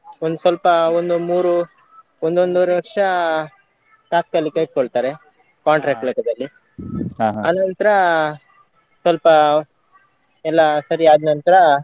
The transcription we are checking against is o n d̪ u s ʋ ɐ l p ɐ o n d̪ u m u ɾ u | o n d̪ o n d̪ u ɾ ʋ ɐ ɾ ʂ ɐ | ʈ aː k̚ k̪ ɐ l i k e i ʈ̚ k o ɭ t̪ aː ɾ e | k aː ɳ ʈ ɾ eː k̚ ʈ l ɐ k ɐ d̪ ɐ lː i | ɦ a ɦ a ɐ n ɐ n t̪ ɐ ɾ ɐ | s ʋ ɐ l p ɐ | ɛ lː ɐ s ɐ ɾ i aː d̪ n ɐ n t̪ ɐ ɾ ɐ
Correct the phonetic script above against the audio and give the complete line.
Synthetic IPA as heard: o n d̪ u s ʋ ɐ l p ɐ o n d̪ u m uː ɾ u | o n d̪ o n d̪ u ɾ ʋ ɐ ɾ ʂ ɐ | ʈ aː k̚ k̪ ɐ l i k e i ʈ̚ k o ɭ t̪ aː ɾ e | k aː ɳ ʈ ɾ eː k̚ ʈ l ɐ k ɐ d̪ ɐ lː i | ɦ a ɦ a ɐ n ɐ n t̪ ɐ ɾ ɐ | s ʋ ɐ l p ɐ | ɛ lː ɐ s ɐ ɾ i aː d̪ n ɐ n t̪ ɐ ɾ ɐ